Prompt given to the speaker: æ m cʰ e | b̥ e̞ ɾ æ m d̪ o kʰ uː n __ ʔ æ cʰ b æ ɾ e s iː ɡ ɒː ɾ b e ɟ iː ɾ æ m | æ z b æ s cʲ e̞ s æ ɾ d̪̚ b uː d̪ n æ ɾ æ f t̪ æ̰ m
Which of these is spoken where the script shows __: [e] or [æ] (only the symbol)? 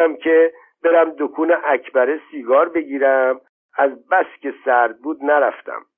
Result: e